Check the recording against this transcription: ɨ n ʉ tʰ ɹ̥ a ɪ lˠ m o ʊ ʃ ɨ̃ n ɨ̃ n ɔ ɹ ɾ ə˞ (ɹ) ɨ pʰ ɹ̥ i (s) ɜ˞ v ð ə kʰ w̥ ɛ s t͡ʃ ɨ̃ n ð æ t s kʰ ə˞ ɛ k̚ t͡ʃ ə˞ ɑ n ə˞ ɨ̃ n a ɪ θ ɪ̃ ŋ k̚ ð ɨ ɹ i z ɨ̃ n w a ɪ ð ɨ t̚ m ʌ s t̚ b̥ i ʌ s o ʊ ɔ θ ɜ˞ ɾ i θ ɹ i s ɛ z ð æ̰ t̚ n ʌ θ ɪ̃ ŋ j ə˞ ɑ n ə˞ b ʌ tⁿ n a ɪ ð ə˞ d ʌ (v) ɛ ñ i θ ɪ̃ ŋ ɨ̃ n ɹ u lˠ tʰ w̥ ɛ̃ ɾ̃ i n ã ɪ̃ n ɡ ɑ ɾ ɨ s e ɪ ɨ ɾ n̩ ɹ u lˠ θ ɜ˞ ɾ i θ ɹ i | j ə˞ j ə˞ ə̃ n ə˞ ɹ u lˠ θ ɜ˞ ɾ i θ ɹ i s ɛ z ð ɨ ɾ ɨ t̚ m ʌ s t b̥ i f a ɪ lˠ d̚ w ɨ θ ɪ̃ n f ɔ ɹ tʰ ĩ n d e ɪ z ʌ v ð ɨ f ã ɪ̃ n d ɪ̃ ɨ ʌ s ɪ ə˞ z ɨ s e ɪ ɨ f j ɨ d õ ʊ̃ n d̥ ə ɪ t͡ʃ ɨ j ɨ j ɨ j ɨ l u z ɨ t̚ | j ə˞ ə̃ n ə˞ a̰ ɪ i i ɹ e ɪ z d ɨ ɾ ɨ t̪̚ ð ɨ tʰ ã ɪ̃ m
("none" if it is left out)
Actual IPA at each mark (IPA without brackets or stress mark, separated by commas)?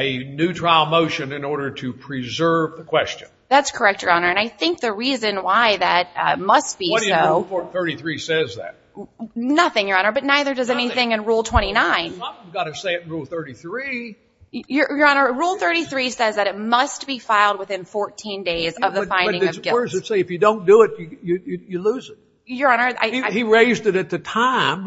ɾ, z, z